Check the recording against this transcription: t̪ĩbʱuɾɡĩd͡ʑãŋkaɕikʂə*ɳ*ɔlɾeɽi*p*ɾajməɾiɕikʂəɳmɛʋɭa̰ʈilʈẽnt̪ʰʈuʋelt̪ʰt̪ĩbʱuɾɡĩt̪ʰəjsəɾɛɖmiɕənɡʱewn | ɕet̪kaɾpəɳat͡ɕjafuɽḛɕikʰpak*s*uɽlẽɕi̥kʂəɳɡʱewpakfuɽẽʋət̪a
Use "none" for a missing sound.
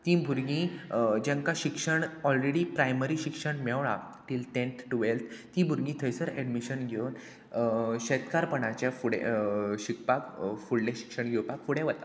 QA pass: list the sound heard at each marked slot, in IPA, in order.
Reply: ɳ, p, f

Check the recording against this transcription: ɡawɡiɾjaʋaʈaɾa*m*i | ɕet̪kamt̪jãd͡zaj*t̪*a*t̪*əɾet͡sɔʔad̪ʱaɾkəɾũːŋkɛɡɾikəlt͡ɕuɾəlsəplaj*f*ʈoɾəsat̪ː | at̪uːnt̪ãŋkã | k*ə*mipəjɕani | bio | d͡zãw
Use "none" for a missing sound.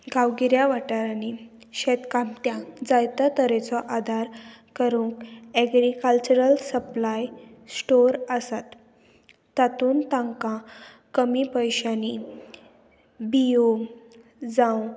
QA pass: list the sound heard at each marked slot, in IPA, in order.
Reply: n, t̪, t̪, s, ə

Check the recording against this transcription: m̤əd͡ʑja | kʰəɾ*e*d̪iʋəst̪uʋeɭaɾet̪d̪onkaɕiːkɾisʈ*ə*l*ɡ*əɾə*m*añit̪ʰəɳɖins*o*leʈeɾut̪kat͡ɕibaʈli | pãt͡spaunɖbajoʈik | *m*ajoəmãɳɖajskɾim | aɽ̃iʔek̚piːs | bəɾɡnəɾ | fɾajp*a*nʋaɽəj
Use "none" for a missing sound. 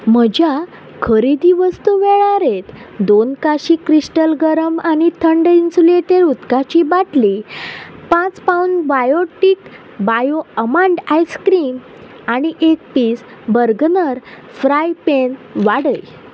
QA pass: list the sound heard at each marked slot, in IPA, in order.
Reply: i, ə, ɡ, m, u, b, e

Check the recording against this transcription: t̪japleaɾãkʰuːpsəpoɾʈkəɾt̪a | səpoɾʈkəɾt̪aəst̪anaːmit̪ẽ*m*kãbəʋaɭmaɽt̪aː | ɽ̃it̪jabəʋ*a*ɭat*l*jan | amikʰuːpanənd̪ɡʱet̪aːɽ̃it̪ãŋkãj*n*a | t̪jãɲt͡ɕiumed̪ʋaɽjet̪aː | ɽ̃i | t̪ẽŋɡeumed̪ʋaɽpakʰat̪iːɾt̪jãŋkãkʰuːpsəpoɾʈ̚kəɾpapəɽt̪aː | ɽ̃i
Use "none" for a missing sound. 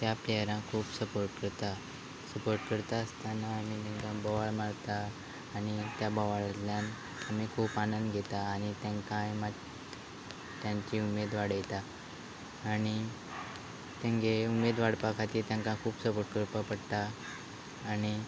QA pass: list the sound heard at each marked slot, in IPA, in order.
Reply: ŋ, a, l, m

